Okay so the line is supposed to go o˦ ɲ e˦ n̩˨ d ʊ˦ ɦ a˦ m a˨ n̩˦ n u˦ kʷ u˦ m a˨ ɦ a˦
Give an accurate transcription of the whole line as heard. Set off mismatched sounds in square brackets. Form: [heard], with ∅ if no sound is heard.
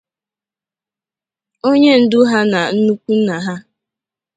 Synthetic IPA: o˦ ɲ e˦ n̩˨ d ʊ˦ ɦ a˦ [n] a˨ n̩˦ n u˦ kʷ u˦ [n] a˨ ɦ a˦